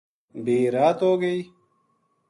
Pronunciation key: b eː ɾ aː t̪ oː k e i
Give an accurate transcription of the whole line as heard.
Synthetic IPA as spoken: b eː ɾ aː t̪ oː ɡ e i